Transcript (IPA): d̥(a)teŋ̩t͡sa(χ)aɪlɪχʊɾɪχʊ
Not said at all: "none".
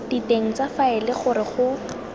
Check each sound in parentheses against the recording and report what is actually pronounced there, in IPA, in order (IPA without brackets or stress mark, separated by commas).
i, f